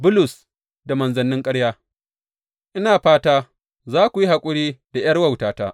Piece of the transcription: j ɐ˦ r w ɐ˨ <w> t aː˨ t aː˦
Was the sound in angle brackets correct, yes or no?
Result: yes